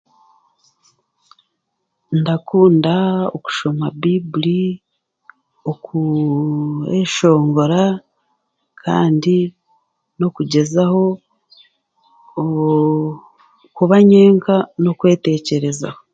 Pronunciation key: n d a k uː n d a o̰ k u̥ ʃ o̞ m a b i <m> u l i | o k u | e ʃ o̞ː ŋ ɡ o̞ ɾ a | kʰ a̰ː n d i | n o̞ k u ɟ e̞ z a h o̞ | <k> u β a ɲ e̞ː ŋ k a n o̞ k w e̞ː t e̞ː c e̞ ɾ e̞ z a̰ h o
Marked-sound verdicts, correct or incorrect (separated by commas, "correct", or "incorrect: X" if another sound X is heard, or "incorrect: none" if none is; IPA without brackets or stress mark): incorrect: b, correct